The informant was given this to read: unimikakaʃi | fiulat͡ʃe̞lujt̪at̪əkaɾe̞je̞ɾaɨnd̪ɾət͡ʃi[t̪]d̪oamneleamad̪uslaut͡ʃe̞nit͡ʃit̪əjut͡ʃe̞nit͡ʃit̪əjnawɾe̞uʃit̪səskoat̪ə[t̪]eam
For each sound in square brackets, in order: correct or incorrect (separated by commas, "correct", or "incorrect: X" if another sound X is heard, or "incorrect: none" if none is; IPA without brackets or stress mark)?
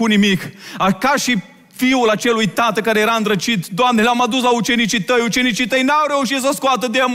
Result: correct, incorrect: d̪